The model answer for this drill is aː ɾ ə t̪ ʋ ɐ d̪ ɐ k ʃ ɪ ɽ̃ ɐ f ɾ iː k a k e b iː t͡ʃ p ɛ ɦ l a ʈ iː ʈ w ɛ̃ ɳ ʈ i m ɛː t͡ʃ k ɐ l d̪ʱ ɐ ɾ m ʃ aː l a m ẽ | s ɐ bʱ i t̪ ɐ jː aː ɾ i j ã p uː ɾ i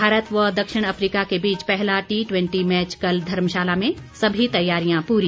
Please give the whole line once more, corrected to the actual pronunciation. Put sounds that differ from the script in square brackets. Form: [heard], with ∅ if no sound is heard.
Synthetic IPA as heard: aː ɾ ə t̪ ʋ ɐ d̪ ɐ k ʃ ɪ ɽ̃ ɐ f ɾ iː k a k e b iː t͡ʃ p ɛ ɦ l a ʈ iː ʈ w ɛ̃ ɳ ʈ i m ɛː t͡ʃ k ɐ l d̪ʱ ɐ ɾ m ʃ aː l a m ẽ | s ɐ bʱ i t̪ ɐ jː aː ɾ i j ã p uː ɾ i